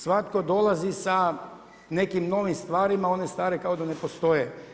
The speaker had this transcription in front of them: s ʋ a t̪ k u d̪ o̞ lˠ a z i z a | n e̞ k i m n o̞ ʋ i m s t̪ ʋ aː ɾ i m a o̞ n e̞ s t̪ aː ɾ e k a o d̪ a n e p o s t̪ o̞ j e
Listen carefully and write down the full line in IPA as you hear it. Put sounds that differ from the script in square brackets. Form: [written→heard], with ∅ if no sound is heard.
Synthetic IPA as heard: s ʋ a t̪ k [u→o] d̪ o̞ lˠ a z i [z→s] a | n e̞ k i m n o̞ ʋ i m s t̪ ʋ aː ɾ i m a o̞ n e̞ s t̪ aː ɾ e k a o d̪ a n e p o s t̪ o̞ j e